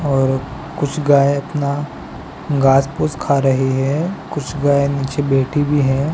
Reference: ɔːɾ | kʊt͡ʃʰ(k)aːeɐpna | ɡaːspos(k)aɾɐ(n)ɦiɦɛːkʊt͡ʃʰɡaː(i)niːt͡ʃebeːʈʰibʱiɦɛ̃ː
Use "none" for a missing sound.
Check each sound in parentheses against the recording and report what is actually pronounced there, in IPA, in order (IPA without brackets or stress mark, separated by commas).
ɡ, kʰ, none, e